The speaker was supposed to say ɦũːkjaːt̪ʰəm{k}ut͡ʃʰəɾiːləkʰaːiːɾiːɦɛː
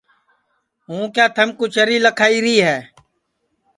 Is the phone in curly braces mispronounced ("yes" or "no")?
no